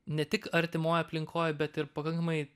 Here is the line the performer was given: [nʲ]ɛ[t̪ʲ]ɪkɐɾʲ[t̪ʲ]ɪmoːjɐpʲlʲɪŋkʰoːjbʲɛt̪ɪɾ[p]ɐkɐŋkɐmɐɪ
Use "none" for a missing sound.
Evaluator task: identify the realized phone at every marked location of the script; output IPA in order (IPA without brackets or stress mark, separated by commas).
nʲ, t̪ʲ, t̪ʲ, p